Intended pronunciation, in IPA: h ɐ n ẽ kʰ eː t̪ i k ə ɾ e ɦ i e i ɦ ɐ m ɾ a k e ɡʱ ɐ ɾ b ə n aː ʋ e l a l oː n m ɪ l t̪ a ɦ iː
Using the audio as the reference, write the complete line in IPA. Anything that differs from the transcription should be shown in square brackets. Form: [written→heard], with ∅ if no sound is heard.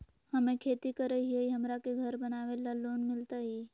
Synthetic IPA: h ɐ [n→m] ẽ kʰ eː t̪ i k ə ɾ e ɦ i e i ɦ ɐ m ɾ a k e ɡʱ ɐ ɾ b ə n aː ʋ e l a l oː n m ɪ l t̪ a ɦ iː